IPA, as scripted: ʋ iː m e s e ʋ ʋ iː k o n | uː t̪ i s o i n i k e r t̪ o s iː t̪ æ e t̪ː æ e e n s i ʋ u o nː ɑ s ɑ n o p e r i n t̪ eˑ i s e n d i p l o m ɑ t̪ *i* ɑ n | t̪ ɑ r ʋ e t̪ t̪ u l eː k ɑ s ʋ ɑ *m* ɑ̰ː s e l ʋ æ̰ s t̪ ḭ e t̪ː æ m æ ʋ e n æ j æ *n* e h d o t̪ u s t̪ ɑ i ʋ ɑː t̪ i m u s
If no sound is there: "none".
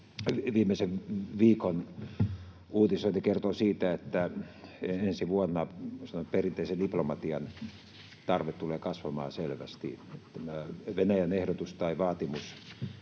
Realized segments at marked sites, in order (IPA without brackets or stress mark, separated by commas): i, m, n